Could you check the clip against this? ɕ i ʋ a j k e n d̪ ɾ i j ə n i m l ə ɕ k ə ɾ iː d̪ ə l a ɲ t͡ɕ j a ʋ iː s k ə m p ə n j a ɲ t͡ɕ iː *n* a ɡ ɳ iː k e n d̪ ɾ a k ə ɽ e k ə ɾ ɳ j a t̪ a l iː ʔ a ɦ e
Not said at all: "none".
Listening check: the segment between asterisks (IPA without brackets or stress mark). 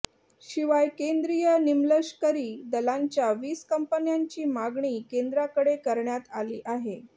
m